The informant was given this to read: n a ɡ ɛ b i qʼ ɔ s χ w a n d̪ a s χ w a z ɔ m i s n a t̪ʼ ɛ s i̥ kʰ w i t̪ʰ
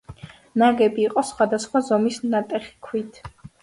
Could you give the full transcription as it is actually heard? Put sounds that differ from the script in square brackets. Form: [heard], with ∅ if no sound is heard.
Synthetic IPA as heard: n a ɡ ɛ b [iː] qʼ ɔ s χ w a [∅] d̪ a s χ w a z ɔ m i s n a t̪ʼ ɛ [χ] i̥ kʰ w i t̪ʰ